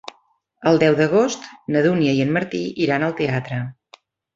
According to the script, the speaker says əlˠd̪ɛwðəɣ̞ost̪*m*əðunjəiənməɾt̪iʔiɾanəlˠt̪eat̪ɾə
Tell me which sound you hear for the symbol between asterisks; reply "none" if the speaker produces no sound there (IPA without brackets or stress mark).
n